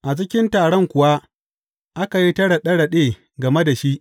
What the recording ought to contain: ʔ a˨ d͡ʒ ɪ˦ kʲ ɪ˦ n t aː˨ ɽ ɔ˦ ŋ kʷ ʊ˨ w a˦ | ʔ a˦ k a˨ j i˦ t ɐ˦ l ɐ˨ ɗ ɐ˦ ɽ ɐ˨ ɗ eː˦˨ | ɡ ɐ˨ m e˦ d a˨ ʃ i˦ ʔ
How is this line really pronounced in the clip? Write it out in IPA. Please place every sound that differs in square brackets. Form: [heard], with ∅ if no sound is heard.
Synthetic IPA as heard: ʔ a˨ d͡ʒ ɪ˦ kʲ ɪ˦ n t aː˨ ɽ ɔ˦ ŋ kʷ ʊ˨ w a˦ | ʔ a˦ k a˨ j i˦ t ɐ˦ [ɽ] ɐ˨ ɗ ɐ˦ ɽ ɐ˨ ɗ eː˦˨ | ɡ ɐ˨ m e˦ d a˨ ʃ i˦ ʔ